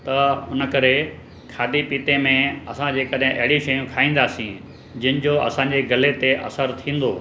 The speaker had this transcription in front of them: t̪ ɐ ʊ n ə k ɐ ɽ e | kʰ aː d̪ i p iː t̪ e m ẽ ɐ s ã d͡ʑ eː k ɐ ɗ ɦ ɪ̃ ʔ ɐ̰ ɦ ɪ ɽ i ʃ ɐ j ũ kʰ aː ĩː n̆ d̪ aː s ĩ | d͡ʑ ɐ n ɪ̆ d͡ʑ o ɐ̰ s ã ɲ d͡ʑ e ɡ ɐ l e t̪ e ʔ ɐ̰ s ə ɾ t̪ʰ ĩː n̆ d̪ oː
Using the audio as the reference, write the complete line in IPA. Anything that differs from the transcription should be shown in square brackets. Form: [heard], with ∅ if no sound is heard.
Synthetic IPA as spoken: t̪ ɐ ʊ n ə k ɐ [ɾ] e | kʰ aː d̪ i p iː t̪ e m ẽ ɐ s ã d͡ʑ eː k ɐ ɗ ɦ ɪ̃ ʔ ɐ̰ ɦ ɪ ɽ i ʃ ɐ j ũ kʰ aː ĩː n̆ d̪ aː s ĩ | d͡ʑ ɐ n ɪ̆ d͡ʑ o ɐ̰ s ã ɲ d͡ʑ e ɡ ɐ l e t̪ e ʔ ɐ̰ s ə ɾ t̪ʰ ĩː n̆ d̪ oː